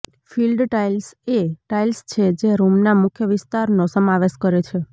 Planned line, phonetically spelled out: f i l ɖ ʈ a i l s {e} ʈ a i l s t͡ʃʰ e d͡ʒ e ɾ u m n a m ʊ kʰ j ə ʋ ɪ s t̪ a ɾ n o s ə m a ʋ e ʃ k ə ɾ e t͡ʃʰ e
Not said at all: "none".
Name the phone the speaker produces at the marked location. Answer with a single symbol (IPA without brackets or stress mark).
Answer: e